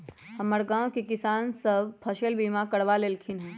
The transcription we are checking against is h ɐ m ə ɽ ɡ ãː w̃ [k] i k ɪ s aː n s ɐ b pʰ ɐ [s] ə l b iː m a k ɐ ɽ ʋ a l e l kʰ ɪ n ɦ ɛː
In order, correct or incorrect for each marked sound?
correct, incorrect: ʃ

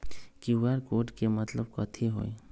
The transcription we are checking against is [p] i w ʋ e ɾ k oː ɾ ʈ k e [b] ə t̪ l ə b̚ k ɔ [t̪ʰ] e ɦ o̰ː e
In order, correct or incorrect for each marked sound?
incorrect: k, incorrect: m, correct

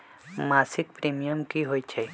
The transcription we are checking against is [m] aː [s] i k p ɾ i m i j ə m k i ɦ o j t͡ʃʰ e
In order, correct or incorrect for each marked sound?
correct, correct

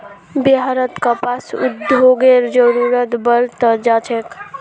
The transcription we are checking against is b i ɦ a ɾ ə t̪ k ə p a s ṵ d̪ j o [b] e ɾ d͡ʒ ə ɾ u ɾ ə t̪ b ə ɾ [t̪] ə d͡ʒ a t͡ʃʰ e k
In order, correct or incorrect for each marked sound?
incorrect: ɡ, correct

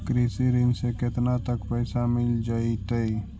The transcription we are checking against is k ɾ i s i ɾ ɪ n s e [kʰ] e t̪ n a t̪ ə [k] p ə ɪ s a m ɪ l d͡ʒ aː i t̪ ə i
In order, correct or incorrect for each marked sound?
incorrect: k, correct

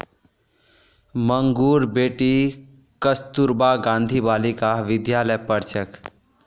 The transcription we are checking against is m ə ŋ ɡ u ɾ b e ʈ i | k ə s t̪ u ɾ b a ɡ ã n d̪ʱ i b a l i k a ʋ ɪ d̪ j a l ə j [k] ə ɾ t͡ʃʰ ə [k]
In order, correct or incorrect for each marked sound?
incorrect: p, correct

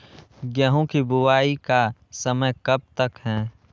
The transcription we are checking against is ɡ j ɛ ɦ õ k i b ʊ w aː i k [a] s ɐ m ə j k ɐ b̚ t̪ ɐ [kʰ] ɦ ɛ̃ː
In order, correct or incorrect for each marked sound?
correct, incorrect: k

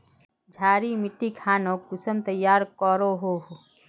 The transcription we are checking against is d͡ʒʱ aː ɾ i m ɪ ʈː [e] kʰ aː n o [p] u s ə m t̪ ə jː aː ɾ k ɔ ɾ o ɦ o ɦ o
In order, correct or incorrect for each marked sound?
incorrect: i, incorrect: k

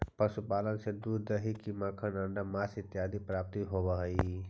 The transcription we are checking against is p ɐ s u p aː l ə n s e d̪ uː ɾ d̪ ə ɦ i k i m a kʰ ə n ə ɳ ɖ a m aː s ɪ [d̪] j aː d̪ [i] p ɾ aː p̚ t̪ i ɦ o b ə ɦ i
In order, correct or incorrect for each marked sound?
incorrect: t̪, correct

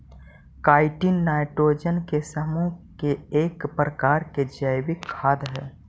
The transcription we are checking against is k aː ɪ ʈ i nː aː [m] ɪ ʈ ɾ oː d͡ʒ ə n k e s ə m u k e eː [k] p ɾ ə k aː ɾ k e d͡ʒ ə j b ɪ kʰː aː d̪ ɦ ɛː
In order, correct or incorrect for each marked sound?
incorrect: none, correct

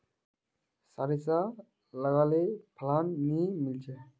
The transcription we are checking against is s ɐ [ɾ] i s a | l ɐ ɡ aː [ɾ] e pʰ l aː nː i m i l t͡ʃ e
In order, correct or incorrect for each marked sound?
correct, incorrect: l

